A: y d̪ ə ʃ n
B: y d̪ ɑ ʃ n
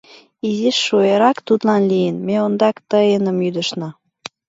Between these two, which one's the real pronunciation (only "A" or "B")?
A